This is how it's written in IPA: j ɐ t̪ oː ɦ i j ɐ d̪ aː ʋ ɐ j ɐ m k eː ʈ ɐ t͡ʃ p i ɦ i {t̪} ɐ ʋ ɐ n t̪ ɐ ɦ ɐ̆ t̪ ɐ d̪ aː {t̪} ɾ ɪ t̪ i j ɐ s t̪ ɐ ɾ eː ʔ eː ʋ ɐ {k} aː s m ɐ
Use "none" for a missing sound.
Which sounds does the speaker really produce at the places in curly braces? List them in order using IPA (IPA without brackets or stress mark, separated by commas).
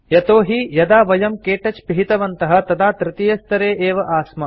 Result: t̪, t̪, ʔ